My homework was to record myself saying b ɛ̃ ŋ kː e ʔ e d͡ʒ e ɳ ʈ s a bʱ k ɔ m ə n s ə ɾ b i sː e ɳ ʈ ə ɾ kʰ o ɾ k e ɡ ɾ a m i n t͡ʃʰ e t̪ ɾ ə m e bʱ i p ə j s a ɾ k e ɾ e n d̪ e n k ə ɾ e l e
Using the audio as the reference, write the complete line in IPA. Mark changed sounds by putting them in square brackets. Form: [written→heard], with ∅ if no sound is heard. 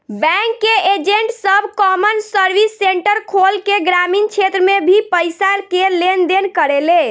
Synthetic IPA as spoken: b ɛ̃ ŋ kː e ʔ e d͡ʒ e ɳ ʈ s [a→ə] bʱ k ɔ m ə n s ə ɾ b i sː e ɳ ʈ ə ɾ kʰ o [ɾ→l] k e ɡ ɾ a m i n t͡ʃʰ e t̪ ɾ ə m e bʱ i p ə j s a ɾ k e [ɾ→l] e n d̪ e n k ə ɾ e l e